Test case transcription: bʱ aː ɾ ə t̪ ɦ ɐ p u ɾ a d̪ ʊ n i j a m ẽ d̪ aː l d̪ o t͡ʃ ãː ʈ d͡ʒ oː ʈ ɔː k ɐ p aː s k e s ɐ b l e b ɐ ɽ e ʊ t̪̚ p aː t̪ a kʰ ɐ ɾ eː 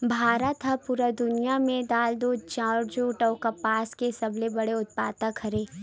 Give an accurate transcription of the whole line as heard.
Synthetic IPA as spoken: bʱ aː ɾ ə t̪ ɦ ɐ p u ɾ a d̪ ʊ n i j a m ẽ d̪ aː l d̪ o t͡ʃ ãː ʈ d͡ʒ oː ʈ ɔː k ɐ p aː s k e s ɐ b l e b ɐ ɽ e ʊ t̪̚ p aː t̪ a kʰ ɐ ɾ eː